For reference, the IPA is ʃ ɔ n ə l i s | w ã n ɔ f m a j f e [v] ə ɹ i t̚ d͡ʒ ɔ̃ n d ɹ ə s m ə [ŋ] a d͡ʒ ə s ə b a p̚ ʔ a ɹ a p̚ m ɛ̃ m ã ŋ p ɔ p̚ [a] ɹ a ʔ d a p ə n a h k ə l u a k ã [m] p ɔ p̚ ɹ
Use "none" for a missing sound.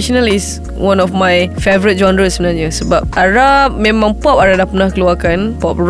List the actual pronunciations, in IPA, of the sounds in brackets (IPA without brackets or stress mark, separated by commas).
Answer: v, n, a, n